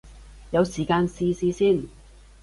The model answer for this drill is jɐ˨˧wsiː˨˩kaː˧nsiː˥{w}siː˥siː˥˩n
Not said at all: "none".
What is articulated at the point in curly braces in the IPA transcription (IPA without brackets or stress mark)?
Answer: none